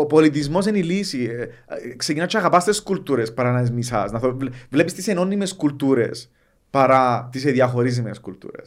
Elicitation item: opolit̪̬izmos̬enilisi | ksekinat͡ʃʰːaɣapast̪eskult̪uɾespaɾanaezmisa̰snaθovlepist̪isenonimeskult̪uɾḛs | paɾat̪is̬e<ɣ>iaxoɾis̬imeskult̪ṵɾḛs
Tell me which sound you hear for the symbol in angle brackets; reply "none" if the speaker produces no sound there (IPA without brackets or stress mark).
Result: ð